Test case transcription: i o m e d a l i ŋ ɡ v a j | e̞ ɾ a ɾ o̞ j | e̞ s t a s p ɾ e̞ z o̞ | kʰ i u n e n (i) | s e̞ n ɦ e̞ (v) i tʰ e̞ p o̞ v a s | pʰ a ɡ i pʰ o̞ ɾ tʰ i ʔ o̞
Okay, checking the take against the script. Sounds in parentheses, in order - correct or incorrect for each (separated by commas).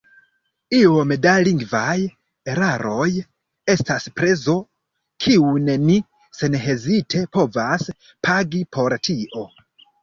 correct, incorrect